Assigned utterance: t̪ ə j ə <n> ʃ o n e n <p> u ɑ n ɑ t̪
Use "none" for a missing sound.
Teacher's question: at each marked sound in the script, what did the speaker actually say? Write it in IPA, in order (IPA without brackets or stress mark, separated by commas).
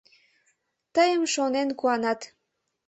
m, k